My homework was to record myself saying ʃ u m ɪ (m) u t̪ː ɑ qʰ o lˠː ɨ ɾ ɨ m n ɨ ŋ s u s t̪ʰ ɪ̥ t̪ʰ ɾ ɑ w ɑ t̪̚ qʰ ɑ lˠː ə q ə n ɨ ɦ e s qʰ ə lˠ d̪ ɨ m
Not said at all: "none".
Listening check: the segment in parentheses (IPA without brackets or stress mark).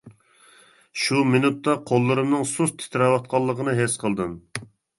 n